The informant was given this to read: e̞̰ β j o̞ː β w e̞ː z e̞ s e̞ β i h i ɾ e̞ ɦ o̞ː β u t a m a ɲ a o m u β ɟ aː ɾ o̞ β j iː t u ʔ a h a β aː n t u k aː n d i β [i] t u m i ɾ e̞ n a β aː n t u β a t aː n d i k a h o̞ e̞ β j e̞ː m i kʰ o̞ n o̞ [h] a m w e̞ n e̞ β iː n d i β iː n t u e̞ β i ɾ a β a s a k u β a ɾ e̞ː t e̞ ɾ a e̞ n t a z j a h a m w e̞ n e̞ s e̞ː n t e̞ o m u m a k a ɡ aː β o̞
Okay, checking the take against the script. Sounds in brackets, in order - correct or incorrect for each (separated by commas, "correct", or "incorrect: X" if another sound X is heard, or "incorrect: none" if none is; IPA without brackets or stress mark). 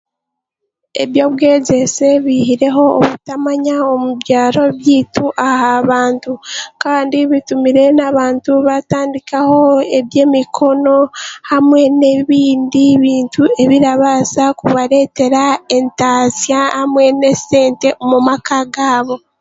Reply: correct, correct